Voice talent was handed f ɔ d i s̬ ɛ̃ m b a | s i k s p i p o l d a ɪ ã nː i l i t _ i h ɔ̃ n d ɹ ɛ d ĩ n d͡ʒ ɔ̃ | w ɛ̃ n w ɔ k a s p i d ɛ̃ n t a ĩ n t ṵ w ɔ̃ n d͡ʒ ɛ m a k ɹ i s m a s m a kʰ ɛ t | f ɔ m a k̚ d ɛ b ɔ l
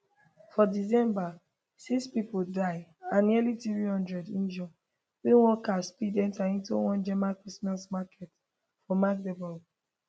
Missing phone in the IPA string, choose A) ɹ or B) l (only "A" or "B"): A